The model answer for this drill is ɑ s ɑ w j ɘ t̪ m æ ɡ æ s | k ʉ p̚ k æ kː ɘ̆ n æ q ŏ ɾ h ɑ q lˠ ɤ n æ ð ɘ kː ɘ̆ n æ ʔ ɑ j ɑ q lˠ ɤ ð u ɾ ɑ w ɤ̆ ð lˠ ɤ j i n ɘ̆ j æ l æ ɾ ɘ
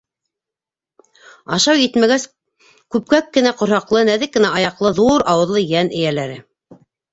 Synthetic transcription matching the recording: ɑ ʃ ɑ w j ɘ t̪ m æ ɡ æ s | k ʉ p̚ k æ kː ɘ̆ n æ q ŏ ɾ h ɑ q lˠ ɤ n æ ð ɘ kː ɘ̆ n æ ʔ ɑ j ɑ q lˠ ɤ ð u ɾ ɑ w ɤ̆ ð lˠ ɤ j æ n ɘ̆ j æ l æ ɾ ɘ

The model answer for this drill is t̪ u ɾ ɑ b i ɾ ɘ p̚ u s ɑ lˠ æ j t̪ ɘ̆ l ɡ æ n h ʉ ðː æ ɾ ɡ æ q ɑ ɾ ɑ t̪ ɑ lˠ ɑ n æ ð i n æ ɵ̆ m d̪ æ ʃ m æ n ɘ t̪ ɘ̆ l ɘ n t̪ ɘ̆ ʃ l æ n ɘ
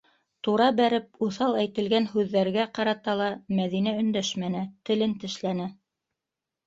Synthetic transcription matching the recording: t̪ u ɾ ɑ b æ ɾ ɘ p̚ u θ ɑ lˠ æ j t̪ ɘ̆ l ɡ æ n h ʉ ðː æ ɾ ɡ æ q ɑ ɾ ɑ t̪ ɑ lˠ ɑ m æ ð i n æ ɵ̆ n d̪ æ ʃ m æ n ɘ t̪ ɘ̆ l ɘ n t̪ ɘ̆ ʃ l æ n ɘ

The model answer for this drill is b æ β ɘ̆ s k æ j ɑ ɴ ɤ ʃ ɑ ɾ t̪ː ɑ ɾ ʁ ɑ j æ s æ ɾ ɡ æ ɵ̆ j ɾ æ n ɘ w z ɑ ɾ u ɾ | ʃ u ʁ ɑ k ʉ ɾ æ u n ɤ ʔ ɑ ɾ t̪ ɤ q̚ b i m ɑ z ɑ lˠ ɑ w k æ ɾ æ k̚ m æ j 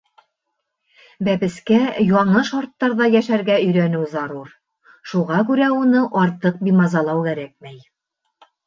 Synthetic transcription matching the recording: b æ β ɘ̆ s k æ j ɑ ɴ ɤ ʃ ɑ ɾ t̪ː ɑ ɾ ð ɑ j æ ʃ æ ɾ ɡ æ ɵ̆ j ɾ æ n ɘ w z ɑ ɾ u ɾ | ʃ u ʁ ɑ k ʉ ɾ æ u n ɤ ʔ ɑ ɾ t̪ ɤ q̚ b i m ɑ z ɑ lˠ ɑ w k æ ɾ æ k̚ m æ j

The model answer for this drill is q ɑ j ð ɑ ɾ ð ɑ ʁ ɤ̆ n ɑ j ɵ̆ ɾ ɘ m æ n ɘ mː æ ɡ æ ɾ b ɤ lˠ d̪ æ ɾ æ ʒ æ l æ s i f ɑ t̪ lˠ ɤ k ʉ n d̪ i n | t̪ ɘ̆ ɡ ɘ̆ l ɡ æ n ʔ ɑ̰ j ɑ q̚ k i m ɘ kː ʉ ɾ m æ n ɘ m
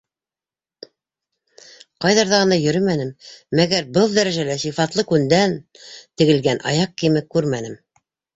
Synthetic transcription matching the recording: q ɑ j ð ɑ ɾ ð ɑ ʁ ɤ̆ n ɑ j ɵ̆ ɾ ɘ m æ n ɘ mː æ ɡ æ ɾ b ɤ lˠ d̪ æ ɾ æ ʒ æ l æ s i f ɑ t̪ lˠ ɤ k ʉ n d̪ æ n | t̪ ɘ̆ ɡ ɘ̆ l ɡ æ n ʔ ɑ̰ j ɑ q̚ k i m ɘ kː ʉ ɾ m æ n ɘ m

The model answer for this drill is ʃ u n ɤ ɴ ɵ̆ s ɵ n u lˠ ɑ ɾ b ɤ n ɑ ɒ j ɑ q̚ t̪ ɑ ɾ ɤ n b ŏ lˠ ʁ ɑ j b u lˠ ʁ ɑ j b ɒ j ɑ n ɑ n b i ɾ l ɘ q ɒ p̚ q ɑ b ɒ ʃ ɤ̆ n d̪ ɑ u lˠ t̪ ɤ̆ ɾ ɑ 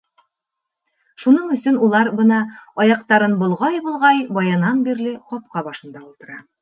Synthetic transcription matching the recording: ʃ u n ɤ ɴ ɵ̆ s ɵ n u lˠ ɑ ɾ b ɤ n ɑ ɒ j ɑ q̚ t̪ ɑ ɾ ɤ n b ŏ lˠ ʁ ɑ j b u lˠ ʁ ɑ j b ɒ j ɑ n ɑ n b i ɾ l ɘ q ɒ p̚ q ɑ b ɒ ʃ ɤ̆ n d̪ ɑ u lˠ t̪ ɤ̆ ɾ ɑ

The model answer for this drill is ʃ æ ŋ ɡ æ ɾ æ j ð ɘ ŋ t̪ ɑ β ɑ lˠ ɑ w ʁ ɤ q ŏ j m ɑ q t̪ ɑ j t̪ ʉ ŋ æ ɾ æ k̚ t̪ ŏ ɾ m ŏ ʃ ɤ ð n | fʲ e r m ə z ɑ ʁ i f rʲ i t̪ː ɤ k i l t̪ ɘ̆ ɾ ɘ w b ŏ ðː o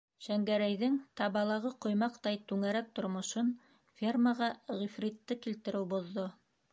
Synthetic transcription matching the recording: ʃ æ ŋ ɡ æ ɾ æ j ð ɘ ŋ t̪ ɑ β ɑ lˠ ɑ ʁ ɤ q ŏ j m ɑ q t̪ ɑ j t̪ ʉ ŋ æ ɾ æ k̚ t̪ ŏ ɾ m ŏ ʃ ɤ n | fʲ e r m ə ʁ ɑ ʁ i f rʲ i t̪ː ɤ k i l t̪ ɘ̆ ɾ ɘ w b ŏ ðː o

